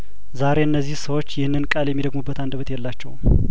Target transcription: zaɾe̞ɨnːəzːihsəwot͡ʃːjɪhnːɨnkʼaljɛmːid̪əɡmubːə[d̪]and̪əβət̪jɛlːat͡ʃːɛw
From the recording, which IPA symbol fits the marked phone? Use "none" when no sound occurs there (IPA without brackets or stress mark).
t̪